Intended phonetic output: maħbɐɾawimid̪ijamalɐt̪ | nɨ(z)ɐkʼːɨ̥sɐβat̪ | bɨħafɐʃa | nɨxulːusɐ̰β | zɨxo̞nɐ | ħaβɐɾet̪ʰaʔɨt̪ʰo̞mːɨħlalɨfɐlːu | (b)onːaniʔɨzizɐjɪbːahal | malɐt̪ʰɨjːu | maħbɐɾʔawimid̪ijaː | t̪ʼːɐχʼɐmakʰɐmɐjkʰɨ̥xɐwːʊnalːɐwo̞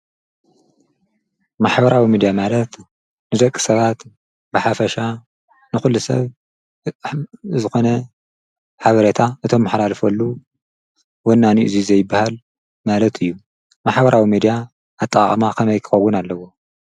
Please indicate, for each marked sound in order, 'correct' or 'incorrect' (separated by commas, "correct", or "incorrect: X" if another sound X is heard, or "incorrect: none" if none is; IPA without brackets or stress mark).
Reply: correct, incorrect: w